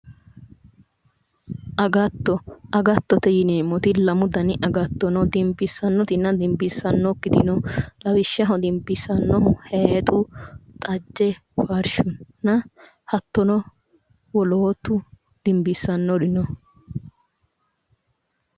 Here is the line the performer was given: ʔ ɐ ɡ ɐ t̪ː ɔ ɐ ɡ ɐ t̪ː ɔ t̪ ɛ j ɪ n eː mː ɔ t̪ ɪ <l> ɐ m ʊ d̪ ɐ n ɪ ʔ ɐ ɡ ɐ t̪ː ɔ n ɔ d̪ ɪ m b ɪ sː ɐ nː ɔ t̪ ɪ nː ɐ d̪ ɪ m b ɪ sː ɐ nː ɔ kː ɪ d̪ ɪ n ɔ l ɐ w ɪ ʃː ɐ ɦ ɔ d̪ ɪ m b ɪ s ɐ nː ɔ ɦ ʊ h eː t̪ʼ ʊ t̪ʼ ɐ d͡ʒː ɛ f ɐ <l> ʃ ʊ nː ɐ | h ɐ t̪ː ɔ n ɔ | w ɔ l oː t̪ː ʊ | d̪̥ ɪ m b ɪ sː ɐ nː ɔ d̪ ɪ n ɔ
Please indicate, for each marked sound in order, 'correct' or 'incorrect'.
correct, incorrect: ɾ

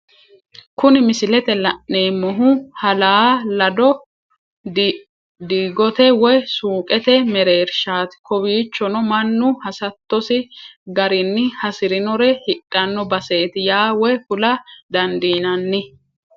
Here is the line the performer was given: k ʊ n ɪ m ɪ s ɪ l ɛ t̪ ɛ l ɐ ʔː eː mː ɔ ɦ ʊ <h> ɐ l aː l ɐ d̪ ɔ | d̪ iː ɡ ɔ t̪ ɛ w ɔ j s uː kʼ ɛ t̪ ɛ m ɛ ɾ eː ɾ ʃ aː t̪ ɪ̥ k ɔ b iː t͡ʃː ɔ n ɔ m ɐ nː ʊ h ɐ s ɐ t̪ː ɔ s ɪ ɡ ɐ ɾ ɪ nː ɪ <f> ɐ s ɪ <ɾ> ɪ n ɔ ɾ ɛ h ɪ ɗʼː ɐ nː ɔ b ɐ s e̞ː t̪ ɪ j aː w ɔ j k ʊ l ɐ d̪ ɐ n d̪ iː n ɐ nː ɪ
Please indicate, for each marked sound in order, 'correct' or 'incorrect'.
correct, incorrect: h, correct

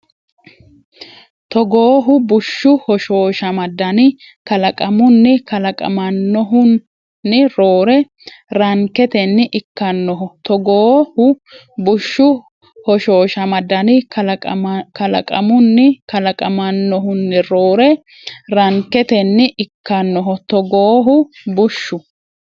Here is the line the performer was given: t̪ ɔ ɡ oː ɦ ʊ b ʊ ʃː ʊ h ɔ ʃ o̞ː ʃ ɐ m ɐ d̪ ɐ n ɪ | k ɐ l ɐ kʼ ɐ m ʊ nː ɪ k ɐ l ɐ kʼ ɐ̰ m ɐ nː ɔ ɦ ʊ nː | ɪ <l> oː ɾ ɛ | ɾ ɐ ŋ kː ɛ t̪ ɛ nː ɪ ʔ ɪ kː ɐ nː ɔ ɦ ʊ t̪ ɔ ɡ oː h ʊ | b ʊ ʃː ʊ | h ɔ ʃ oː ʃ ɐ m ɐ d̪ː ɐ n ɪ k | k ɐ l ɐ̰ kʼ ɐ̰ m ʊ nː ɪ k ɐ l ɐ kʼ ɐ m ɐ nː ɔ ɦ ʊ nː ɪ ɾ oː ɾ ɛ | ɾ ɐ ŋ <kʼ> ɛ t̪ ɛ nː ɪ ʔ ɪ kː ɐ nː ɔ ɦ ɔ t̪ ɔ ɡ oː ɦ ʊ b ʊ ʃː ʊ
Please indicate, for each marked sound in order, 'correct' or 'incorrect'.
incorrect: ɾ, incorrect: k

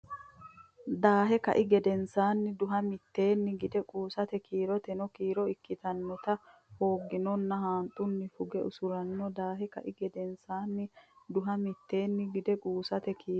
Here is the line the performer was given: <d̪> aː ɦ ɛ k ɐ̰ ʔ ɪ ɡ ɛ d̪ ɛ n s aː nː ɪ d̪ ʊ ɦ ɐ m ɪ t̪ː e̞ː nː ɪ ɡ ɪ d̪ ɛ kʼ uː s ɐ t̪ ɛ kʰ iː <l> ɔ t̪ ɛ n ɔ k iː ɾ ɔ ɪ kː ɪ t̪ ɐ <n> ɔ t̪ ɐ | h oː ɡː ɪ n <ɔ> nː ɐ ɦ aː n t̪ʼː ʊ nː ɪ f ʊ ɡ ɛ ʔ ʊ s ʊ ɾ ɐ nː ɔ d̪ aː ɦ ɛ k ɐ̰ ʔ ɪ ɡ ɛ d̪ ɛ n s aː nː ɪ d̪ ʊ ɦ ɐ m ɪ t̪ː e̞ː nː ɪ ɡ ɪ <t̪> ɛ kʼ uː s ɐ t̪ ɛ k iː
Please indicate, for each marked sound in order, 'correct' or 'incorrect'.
correct, incorrect: ɾ, incorrect: nː, correct, incorrect: d̪

